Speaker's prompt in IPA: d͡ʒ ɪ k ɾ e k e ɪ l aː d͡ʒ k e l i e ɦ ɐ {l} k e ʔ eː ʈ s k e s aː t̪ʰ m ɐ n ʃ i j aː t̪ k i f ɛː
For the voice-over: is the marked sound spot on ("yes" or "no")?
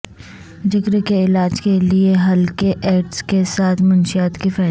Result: yes